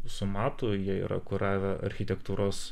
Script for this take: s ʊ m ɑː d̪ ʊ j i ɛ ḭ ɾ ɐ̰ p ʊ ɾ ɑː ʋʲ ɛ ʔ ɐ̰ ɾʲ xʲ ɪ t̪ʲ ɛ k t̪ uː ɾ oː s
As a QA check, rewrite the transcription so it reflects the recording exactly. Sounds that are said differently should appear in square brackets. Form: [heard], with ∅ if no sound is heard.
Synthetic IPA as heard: s ʊ m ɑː [t̪] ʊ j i ɛ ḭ ɾ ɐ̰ [k] ʊ ɾ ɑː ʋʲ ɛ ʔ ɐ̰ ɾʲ xʲ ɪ t̪ʲ ɛ k t̪ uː ɾ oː s